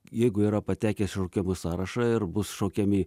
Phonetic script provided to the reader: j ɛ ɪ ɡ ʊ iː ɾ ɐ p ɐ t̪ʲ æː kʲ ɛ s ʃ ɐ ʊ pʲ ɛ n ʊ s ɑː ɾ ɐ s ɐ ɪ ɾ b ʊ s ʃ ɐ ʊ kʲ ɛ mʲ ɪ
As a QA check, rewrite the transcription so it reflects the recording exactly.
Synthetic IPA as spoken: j ɛ ɪ ɡ ʊ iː ɾ ɐ p ɐ t̪ʲ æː kʲ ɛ s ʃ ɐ ʊ kʲ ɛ m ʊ s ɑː ɾ ɐ ʃ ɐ ɪ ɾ b ʊ s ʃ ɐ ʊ kʲ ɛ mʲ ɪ